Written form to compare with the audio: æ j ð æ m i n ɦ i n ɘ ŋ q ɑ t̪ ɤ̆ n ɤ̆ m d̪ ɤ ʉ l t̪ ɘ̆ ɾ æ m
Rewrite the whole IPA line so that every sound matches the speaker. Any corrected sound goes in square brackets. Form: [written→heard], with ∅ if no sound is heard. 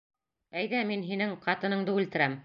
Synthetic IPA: æ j ð æ m i n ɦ i n ɘ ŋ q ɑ t̪ ɤ̆ n ɤ̆ [m→ɴ] d̪ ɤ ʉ l t̪ ɘ̆ ɾ æ m

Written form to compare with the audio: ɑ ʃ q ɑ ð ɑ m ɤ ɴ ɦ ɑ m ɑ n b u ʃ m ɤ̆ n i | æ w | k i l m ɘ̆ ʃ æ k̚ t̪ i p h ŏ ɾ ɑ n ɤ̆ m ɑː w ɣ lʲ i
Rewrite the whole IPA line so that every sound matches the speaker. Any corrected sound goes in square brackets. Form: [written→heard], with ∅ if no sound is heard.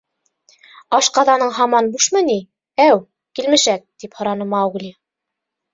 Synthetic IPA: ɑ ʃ q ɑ ð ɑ [m→n] ɤ ɴ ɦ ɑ m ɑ n b u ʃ m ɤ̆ n i | æ w | k i l m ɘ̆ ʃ æ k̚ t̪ i p h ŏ ɾ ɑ n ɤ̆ m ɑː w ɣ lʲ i

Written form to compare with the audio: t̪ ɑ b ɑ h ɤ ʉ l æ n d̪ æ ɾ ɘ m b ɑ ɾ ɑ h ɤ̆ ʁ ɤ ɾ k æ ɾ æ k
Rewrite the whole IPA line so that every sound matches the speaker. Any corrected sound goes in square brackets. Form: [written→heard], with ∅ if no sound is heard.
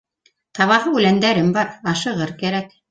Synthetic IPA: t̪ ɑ [b→β] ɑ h ɤ ʉ l æ n d̪ æ ɾ ɘ m b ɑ ɾ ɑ [h→ʃ] ɤ̆ ʁ ɤ ɾ k æ ɾ æ k

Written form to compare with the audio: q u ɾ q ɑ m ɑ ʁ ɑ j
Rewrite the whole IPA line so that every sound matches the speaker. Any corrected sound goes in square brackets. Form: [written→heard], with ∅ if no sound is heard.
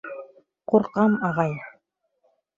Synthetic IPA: q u ɾ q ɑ m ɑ ʁ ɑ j

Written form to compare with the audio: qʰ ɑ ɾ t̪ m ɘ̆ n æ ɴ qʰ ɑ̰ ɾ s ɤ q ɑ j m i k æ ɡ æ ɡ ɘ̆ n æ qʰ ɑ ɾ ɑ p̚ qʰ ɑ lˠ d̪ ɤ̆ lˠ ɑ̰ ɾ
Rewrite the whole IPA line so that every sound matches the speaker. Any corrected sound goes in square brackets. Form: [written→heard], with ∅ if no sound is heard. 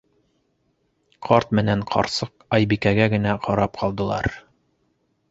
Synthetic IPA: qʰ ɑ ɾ t̪ m ɘ̆ n æ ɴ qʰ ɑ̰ ɾ s ɤ q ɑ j [m→b] i k æ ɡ æ ɡ ɘ̆ n æ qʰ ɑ ɾ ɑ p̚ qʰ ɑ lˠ d̪ ɤ̆ lˠ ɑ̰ ɾ

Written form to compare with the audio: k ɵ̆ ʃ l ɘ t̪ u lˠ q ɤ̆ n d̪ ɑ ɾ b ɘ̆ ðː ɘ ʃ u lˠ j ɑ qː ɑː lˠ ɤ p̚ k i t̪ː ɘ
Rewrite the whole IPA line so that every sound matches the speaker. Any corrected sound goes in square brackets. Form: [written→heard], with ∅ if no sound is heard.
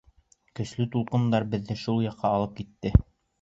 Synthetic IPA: k ɵ̆ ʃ l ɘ t̪ u lˠ q ɤ̆ n d̪ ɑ ɾ b ɘ̆ ðː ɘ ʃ u lˠ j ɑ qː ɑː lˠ ɤ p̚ k i t̪ː ɘ

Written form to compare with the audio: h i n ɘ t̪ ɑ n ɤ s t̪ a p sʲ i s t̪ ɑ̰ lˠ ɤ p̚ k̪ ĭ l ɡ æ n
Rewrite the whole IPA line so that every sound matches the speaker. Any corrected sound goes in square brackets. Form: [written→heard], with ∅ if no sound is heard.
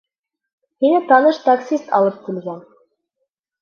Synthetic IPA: h i n ɘ t̪ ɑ n ɤ [s→ʃ] t̪ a [p→k] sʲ i s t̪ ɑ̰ lˠ ɤ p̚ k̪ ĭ l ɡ æ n

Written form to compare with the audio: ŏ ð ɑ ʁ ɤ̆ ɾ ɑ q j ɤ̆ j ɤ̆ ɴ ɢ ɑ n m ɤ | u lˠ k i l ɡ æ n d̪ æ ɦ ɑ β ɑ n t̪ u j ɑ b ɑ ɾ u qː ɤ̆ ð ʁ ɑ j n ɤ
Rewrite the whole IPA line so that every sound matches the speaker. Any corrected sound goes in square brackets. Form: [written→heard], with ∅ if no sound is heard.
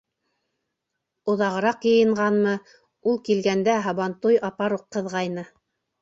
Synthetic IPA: ŏ ð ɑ ʁ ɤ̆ ɾ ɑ q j ɤ̆ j ɤ̆ ɴ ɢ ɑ n m ɤ | u lˠ k i l ɡ æ n d̪ æ ɦ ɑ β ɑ n t̪ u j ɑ [b→p] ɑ ɾ u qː ɤ̆ ð ʁ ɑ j n ɤ

